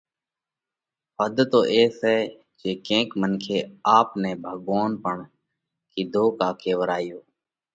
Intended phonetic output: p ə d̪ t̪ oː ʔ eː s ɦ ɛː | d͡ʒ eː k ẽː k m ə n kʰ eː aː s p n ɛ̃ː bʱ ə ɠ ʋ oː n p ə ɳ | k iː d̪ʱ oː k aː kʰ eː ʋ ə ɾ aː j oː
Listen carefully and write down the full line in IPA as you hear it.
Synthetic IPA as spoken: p ə d̪ t̪ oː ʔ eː s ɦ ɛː | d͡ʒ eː k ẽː k m ə n kʰ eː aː p n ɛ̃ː bʱ ə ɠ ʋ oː n p ə ɳ | k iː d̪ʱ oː k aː kʰ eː ʋ ə ɾ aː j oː